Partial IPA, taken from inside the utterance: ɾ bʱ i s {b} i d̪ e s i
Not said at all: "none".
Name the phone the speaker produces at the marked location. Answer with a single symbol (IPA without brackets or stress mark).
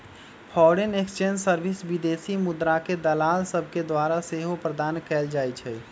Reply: b